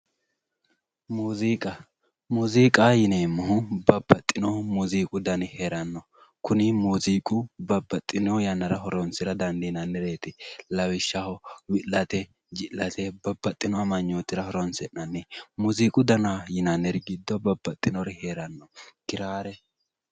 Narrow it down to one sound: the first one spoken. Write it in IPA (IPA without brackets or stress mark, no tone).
m